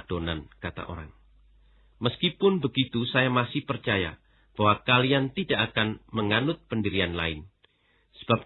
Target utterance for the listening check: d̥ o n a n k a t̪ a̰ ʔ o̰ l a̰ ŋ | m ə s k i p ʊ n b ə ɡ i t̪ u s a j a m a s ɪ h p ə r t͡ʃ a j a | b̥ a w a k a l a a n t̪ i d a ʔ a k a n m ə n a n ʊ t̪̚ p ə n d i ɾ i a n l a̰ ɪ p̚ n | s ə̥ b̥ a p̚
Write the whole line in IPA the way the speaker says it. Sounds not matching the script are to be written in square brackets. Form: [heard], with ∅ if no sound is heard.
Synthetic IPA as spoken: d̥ o n a n k a t̪ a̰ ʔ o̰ [ɾ] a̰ ŋ | m ə s k i p ʊ n b ə ɡ i t̪ u s a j a m a s ɪ h p ə r t͡ʃ a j a | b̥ a w a k a l [i] a n t̪ i d a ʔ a k a n m ə [ŋ] a n ʊ t̪̚ p ə n d i ɾ i a n l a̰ ɪ [∅] n | s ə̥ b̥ a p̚

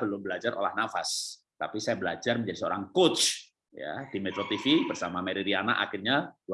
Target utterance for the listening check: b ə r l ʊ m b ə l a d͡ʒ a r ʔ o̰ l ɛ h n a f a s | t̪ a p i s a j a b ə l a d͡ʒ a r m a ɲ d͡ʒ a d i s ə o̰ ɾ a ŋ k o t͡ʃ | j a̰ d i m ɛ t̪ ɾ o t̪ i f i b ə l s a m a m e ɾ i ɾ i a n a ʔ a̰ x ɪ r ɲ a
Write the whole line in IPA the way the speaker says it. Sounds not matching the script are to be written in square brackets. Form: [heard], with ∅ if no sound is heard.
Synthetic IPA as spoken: b ə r l ʊ m b ə l a d͡ʒ a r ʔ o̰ l [a] h n a f a s | t̪ a p i s a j a b ə l a d͡ʒ a r m [ə] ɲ d͡ʒ a d i s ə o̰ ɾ a ŋ k o t͡ʃ | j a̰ d i m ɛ t̪ ɾ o t̪ i f i b ə [r] s a m a m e ɾ i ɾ i a n a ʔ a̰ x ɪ r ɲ a

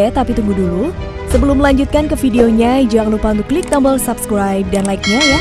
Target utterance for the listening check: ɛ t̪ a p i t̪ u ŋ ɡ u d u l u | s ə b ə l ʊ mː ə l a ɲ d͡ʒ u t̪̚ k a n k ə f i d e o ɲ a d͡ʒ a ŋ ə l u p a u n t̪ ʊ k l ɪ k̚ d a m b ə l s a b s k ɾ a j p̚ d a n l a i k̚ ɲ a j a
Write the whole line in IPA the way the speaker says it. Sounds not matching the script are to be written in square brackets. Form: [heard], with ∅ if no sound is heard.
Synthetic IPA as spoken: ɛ t̪ a p i t̪ u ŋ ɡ u d u l u | s ə b ə l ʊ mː ə l a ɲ d͡ʒ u t̪̚ k a n k ə f i d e o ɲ a d͡ʒ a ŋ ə l u p a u n t̪ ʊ k l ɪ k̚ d a m b ə l s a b s k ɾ a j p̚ d a n l a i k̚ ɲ a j a

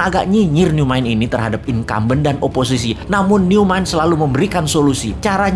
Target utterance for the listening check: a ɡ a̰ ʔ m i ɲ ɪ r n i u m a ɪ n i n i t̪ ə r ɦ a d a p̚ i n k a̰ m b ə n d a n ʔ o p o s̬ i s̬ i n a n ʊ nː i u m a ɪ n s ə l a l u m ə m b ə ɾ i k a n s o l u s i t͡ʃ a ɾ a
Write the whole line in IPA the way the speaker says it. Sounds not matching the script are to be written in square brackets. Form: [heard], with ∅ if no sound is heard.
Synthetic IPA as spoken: a ɡ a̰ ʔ [ɲ] i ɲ ɪ r n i u m a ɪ n i n i t̪ ə r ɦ a d a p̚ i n k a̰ m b ə n d a n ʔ o p o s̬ i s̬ i n a [m] ʊ nː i u m a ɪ n s ə l a l u m ə m b ə ɾ i k a n s o l u s i t͡ʃ a ɾ a

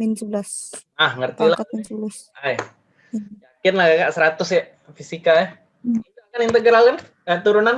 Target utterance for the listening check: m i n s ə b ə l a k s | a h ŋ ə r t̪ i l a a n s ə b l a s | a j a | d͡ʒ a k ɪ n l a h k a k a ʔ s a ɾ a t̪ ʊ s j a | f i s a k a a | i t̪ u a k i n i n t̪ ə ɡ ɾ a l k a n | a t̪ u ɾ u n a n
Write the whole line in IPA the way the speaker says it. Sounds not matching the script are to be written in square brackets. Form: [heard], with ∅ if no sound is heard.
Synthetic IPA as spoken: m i n s ə b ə l a [∅] s | a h ŋ ə r t̪ i l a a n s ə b l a s | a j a | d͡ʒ a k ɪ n l a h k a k a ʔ s [ə] ɾ a t̪ ʊ s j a | f i s [i] k a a | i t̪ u a k [a] n i n t̪ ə ɡ ɾ a l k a n | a t̪ u ɾ u n a n

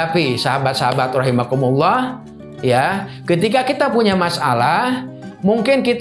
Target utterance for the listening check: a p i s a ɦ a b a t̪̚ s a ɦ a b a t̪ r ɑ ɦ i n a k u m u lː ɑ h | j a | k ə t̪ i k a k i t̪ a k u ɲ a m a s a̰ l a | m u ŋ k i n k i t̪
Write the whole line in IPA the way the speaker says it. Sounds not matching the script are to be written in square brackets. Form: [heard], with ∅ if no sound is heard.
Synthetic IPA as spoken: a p i s a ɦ a b a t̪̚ s a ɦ a b a t̪ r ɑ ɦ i [m] a k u m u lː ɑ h | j a | k ə t̪ i k a k i t̪ a [p] u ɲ a m a s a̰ l a | m u ŋ k [ɪ] n k i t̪

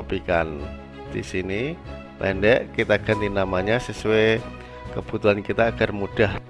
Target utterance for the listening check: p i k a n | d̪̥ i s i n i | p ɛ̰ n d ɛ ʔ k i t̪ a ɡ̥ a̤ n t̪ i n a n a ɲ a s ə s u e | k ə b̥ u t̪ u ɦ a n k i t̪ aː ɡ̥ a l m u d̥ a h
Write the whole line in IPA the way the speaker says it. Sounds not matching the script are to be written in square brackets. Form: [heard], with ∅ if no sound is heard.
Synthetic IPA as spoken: p i k a n | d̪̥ i s i n i | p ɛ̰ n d ɛ ʔ k i t̪ a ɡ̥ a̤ n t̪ i n a [m] a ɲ a s ə s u e | k ə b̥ u t̪ u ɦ a n k i t̪ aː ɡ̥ a [r] m u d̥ a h

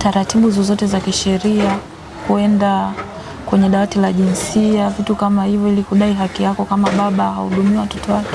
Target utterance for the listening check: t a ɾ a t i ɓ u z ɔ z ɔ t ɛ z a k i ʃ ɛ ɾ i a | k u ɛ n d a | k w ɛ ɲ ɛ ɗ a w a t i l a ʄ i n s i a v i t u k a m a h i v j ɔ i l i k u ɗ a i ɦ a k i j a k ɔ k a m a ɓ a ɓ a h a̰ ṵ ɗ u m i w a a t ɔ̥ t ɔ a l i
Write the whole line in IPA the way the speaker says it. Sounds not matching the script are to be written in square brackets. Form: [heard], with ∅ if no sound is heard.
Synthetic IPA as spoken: t a ɾ a t i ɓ u z ɔ z ɔ t ɛ z a k i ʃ ɛ ɾ i a | k u ɛ n d a | k w ɛ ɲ ɛ ɗ a w a t i l a ʄ i n s i a v i t u k a m a h i v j ɔ i l i k u ɗ a i ɦ a k i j a k ɔ k a m a ɓ a ɓ a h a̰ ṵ ɗ u m i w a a t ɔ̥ t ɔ a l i

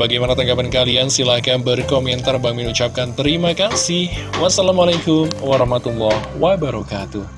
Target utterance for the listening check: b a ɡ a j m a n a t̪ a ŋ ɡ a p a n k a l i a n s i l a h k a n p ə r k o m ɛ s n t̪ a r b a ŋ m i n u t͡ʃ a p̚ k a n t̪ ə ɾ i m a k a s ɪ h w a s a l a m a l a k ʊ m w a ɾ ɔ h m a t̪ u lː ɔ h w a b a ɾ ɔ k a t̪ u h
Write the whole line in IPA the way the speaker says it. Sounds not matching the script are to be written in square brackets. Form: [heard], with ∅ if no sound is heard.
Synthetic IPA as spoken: b a ɡ a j m a n a t̪ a ŋ ɡ a p a n k a l i a n s i l a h k a n [b] ə r k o m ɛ [∅] n t̪ a r b a ŋ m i n u t͡ʃ a p̚ k a n t̪ ə ɾ i m a k a s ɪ h w a s a l a m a l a k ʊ m w a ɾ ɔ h m a t̪ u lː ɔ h w a b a ɾ ɔ k a t̪ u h

